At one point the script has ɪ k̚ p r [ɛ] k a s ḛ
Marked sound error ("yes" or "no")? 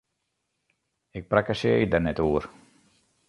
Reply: yes